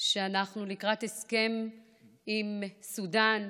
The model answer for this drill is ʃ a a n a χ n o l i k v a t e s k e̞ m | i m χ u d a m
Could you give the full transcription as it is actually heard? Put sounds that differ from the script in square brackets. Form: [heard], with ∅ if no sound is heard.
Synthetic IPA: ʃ [e] a n a χ n [u] l i k [ʁ] a t e s k e̞ m | i m [s] u d a [n]